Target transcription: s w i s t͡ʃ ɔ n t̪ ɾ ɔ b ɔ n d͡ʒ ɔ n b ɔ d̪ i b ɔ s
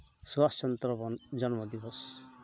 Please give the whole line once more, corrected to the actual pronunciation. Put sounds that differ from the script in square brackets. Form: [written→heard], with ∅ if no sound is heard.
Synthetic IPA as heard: s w [i→a] s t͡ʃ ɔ n t̪ ɾ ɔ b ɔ n d͡ʒ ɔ n [b→m] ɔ d̪ i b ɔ s